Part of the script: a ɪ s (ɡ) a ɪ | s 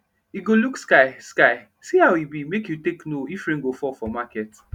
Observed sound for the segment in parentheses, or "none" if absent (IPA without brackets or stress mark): k